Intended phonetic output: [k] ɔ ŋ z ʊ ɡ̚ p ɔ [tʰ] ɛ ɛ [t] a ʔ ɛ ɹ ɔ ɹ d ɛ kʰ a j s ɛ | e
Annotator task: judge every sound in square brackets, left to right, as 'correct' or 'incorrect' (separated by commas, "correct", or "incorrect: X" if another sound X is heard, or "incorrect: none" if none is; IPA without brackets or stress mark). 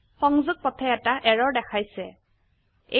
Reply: incorrect: x, correct, correct